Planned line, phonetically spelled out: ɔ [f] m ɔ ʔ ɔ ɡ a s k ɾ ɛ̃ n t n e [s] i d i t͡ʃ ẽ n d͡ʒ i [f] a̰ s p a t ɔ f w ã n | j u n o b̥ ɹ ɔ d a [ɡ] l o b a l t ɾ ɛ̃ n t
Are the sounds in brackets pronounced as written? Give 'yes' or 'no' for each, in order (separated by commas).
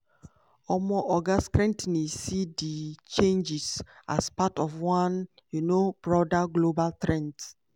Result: no, yes, no, yes